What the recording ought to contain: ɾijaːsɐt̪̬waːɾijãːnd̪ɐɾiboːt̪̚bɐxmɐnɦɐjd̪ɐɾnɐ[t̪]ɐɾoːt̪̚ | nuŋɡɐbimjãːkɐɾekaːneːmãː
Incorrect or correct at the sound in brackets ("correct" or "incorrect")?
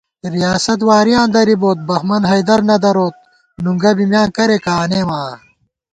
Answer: incorrect